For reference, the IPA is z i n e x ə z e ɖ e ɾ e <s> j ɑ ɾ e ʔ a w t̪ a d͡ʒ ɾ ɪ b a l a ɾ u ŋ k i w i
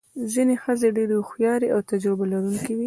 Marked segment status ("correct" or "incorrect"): incorrect